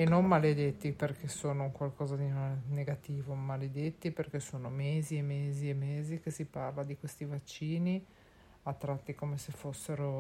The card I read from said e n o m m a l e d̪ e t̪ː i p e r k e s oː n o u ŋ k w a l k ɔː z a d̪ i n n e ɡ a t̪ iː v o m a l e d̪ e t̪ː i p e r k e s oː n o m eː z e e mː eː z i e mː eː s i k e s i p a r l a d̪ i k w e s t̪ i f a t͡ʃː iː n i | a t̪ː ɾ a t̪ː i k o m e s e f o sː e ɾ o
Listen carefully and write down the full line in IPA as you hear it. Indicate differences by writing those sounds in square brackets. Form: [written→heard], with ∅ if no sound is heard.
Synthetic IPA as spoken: e n o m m a l e d̪ e t̪ː i p e r k e s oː n o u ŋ k w a l k ɔː z a d̪ i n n e ɡ a t̪ iː v o m a l e d̪ e t̪ː i p e r k e s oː n o m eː z [e→i] e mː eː z i e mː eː [s→z] i k e s i p a r l a d̪ i k w e s t̪ i [f→v] a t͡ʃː iː n i | a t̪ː ɾ a t̪ː i k o m e s e f o sː e ɾ o